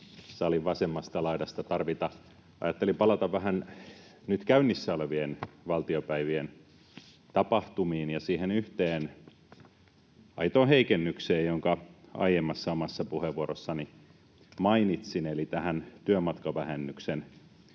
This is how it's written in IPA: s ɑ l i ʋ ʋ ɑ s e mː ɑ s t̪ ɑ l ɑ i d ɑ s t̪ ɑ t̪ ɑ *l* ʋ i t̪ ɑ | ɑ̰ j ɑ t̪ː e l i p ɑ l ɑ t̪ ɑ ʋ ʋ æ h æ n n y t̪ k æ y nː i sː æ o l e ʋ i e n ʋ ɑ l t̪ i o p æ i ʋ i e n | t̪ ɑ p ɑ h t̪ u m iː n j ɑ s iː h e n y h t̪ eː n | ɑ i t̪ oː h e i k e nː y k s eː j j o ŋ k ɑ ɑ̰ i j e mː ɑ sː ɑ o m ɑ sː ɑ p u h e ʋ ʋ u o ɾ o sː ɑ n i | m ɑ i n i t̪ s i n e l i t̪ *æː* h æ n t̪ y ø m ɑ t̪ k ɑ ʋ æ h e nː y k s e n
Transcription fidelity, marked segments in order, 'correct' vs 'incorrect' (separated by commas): incorrect, incorrect